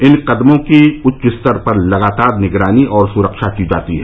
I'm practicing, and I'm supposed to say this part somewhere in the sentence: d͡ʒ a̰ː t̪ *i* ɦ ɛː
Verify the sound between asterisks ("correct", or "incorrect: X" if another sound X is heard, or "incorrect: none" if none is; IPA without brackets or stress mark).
correct